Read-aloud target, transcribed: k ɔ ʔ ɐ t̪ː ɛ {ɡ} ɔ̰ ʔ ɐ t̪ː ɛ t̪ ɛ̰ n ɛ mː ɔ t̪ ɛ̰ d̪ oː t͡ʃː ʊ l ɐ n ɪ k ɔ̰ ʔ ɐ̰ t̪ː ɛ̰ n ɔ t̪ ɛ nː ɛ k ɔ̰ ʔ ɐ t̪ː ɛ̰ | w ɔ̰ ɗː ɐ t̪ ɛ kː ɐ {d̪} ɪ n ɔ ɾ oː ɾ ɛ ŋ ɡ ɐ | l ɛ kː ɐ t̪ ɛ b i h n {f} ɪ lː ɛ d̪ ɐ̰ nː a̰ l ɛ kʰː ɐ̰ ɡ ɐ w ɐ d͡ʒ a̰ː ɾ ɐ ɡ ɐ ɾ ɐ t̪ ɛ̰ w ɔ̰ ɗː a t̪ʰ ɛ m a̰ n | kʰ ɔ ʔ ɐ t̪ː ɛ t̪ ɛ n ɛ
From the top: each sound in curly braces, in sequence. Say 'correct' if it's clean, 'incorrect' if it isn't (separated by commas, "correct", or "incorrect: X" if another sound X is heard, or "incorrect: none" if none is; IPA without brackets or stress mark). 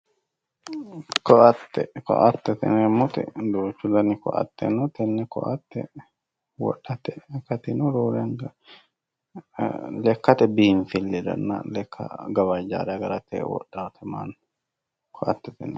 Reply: incorrect: k, incorrect: t̪, correct